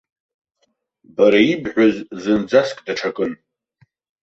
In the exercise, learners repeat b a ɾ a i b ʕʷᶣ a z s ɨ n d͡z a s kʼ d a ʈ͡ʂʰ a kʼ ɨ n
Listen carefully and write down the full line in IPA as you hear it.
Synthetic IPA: b a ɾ a i b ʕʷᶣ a z z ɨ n d͡z a s kʼ d a ʈ͡ʂʰ a kʼ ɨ n